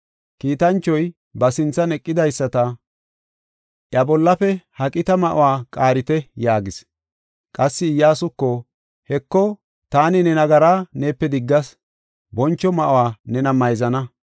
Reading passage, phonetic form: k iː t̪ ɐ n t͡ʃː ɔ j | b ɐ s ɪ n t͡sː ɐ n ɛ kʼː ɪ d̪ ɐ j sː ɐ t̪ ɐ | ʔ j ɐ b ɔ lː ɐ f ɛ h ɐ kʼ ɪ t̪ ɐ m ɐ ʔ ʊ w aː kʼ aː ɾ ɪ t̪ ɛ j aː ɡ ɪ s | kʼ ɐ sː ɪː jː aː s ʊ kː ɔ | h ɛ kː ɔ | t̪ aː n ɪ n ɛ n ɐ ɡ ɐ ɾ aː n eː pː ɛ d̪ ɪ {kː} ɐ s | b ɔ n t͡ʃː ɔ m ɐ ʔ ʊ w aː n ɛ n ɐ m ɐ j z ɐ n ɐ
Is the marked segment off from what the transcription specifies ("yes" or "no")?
yes